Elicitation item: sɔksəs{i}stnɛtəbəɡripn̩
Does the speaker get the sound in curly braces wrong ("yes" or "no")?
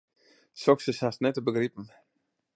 yes